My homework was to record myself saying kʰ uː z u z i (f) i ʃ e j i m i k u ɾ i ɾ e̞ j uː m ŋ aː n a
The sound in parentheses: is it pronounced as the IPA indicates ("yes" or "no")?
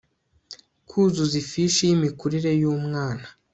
yes